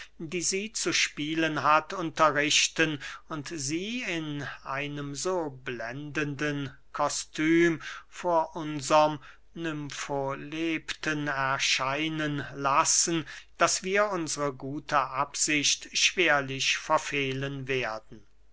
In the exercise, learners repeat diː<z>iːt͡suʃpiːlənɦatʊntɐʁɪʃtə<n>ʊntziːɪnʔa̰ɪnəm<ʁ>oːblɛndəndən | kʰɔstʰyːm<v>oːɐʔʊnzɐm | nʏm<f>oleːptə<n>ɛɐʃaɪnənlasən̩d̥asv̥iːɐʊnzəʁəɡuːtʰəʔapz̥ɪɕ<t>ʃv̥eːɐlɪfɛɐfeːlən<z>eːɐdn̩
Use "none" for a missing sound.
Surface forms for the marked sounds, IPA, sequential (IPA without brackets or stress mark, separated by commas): z, n, z, f, f, n, t, v